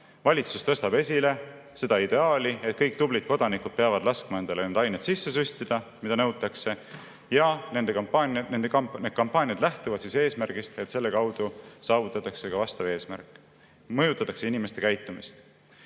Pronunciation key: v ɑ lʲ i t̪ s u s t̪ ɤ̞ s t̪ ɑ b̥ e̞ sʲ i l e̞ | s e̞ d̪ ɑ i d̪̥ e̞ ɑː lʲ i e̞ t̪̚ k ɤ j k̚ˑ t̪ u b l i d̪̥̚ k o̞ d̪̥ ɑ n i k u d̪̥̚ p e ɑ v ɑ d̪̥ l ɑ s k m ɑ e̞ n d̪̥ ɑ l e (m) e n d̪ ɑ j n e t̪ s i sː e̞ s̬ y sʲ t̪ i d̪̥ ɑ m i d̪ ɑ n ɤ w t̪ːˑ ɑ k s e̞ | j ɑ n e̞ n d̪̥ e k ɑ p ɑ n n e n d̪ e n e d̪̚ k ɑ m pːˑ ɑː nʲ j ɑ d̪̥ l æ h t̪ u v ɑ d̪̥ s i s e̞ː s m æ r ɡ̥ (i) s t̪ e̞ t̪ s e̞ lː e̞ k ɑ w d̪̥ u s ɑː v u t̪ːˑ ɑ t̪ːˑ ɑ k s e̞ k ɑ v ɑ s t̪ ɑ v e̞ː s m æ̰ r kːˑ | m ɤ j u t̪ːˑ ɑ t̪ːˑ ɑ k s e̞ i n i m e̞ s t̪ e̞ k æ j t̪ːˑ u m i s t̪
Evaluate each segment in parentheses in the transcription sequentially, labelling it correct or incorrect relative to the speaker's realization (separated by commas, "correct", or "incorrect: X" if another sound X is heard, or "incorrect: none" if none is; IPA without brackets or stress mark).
incorrect: n, correct